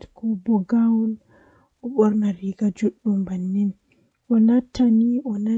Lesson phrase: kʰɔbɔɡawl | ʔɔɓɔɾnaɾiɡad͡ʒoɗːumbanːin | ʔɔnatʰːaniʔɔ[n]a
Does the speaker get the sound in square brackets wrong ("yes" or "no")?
no